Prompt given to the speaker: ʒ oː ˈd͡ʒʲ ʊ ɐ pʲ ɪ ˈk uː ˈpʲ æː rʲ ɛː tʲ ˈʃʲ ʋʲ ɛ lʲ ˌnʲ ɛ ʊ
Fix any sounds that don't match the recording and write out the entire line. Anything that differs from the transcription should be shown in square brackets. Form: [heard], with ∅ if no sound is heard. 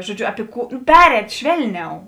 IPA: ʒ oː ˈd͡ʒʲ ʊ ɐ pʲ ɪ ˈk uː ˈpʲ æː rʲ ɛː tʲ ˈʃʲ ʋʲ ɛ lʲ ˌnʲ ɛ ʊ